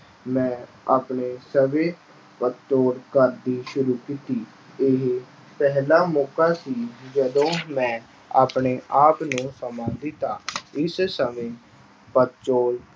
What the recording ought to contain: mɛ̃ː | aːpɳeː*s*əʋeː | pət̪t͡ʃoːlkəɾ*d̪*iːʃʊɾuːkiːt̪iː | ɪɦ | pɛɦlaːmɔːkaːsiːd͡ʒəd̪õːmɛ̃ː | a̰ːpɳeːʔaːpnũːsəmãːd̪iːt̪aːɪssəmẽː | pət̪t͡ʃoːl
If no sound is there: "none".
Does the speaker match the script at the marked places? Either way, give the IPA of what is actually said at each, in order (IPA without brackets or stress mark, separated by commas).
s, d̪